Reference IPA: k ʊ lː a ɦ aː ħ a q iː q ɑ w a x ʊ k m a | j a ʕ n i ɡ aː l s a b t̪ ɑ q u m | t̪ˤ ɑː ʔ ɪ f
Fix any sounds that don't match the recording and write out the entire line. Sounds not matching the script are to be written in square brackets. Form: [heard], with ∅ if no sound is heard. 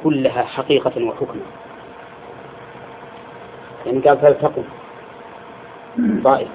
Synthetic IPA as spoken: k ʊ lː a ɦ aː ħ a q iː q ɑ w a [ħ] ʊ k m a | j a ʕ n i ɡ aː l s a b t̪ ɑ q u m | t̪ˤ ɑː ʔ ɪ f